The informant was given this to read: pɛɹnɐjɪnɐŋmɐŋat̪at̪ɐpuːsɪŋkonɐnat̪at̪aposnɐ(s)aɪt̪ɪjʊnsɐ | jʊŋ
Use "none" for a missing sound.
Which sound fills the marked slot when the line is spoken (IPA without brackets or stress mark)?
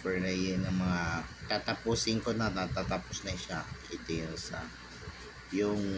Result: ʃ